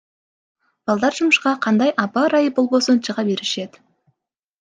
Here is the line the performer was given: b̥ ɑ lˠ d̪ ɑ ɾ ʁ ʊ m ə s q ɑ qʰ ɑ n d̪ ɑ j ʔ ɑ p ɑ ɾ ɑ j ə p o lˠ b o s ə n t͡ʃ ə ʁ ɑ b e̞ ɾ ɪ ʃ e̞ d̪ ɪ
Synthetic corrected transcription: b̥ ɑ lˠ d̪ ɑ ɾ ʒ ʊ m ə ʃ q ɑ qʰ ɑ n d̪ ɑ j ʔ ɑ p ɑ ɾ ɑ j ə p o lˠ b o s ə n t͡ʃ ə ʁ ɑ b e̞ ɾ ɪ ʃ e̞ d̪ ɪ

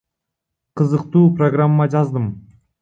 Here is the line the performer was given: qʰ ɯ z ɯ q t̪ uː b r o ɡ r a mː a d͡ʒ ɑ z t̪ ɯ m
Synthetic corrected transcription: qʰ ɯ z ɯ q t̪ uː p r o ɡ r a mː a d͡ʒ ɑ z d̪ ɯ m

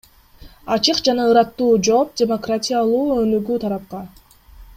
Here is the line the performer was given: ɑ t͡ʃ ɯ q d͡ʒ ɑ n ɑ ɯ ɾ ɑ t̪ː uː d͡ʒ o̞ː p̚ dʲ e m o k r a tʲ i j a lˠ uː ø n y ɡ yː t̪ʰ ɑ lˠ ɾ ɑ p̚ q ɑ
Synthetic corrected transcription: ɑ t͡ʃ ɯ q d͡ʒ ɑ n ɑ ɯ ɾ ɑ t̪ː uː d͡ʒ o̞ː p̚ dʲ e m o k r a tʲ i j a lˠ uː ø n y ɡ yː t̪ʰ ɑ ɾ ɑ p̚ q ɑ

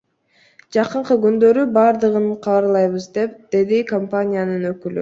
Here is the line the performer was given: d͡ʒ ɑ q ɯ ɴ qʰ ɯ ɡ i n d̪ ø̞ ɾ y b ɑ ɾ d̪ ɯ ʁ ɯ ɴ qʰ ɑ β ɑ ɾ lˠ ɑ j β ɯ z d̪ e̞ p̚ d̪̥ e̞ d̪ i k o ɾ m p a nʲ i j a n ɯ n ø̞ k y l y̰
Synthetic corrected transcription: d͡ʒ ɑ q ɯ ɴ q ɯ ɡ y n d̪ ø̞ ɾ y b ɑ ɾ d̪ ɯ ʁ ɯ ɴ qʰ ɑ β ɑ ɾ lˠ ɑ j β ɯ z d̪ e̞ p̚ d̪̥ e̞ d̪ i k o m p a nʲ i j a n ɯ n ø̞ k y l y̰

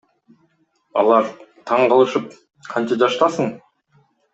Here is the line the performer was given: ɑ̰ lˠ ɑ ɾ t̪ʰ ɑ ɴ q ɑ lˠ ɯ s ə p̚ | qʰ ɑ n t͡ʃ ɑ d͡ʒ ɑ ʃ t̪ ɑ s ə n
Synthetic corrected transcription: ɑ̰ lˠ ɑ ɾ t̪ʰ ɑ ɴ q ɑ lˠ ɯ ʃ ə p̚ | qʰ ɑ n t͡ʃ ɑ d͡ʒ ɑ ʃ t̪ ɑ s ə ɴ

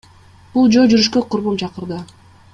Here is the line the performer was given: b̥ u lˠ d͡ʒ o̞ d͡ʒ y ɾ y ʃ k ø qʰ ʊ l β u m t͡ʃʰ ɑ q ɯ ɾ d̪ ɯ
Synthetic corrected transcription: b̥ u lˠ d͡ʒ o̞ d͡ʒ y ɾ y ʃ k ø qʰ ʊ ɾ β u m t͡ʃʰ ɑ q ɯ ɾ d̪ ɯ

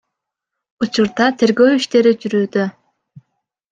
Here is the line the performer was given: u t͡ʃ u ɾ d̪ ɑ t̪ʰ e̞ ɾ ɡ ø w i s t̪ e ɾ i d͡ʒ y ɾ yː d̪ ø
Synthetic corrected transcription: u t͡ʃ u ɾ d̪ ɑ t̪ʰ e̞ ɾ ɡ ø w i ʃ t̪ e ɾ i d͡ʒ y ɾ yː d̪ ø

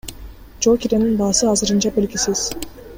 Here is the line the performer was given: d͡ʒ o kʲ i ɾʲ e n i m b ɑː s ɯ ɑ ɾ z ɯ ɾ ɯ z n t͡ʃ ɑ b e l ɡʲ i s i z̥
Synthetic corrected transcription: d͡ʒ o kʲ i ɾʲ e n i n b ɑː s ɯ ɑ z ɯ ɾ ɯ n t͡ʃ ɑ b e l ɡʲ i s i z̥

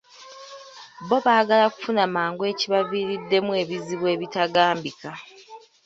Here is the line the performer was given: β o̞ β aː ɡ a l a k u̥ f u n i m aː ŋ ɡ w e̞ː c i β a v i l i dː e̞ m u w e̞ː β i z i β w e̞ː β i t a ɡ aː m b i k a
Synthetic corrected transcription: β o̞ β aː ɡ a l a k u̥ f u n a m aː ŋ ɡ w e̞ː c i β a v i ɾ i dː e̞ m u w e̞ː β i z i β w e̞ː β i t a ɡ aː m b i k a

